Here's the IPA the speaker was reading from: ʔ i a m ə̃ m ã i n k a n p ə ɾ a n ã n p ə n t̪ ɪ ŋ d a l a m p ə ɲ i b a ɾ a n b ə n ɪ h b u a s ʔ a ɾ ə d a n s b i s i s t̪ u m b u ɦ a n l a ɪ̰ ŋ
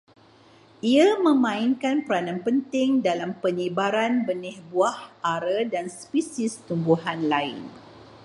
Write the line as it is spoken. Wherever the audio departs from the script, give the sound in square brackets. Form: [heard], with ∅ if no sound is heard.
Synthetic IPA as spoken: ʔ i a m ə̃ m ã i n k a n p ə ɾ a n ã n p ə n t̪ ɪ ŋ d a l a m p ə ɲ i b a ɾ a n b ə n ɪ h b u a [h] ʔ a ɾ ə d a n s [p] i s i s t̪ u m b u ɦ a n l a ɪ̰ [n]